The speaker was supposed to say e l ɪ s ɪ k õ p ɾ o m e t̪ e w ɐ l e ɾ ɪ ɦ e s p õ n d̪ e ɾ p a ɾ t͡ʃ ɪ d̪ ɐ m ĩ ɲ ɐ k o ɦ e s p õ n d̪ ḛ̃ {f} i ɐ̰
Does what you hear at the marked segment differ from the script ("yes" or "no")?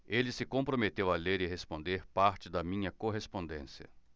yes